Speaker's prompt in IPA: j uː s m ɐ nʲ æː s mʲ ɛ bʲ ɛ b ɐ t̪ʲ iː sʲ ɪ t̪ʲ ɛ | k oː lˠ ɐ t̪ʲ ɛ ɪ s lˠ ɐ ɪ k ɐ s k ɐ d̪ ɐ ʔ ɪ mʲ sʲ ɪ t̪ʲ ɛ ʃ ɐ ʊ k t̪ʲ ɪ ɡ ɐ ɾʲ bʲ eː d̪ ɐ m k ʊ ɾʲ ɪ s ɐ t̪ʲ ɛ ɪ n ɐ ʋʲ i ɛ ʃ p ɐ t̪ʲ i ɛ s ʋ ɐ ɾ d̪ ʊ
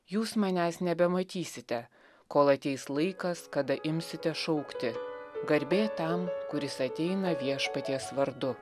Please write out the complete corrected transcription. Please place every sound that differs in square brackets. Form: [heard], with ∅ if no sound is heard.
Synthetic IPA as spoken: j uː s m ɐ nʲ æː s [nʲ] ɛ bʲ ɛ [m] ɐ t̪ʲ iː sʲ ɪ t̪ʲ ɛ | k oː lˠ ɐ t̪ʲ ɛ ɪ s lˠ ɐ ɪ k ɐ s k ɐ d̪ ɐ ʔ ɪ mʲ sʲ ɪ t̪ʲ ɛ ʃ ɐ ʊ k t̪ʲ ɪ ɡ ɐ ɾʲ bʲ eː [t̪] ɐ m k ʊ ɾʲ ɪ s ɐ t̪ʲ ɛ ɪ n ɐ ʋʲ i ɛ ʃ p ɐ t̪ʲ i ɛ s ʋ ɐ ɾ d̪ ʊ